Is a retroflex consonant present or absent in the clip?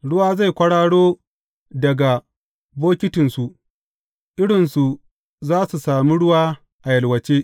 present